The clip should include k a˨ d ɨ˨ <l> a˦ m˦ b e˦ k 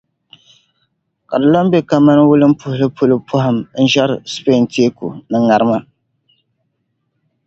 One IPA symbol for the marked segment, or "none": l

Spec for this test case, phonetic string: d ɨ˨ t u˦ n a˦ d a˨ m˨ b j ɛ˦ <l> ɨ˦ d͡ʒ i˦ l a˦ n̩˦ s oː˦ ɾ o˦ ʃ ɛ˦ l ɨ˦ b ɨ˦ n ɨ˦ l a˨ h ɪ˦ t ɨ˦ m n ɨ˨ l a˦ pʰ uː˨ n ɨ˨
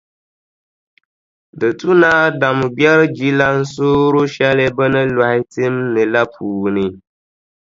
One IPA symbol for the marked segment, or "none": ɾ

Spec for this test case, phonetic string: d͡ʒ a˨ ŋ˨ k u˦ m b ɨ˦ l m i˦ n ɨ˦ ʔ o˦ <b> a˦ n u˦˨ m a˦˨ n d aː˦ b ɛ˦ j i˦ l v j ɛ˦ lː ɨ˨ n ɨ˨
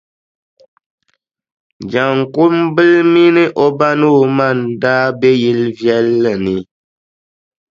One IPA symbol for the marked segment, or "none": b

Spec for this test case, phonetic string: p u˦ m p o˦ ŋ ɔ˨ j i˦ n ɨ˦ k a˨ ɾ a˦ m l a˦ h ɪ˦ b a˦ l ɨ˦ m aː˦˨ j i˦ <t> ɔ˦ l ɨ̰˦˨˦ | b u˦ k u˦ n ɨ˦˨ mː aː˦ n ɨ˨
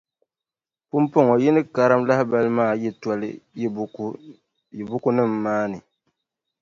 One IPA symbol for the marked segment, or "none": t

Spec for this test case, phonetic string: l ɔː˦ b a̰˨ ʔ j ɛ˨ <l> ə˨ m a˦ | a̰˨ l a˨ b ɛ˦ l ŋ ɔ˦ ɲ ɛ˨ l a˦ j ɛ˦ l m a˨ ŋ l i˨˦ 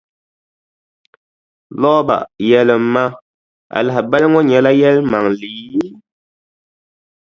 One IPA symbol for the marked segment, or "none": l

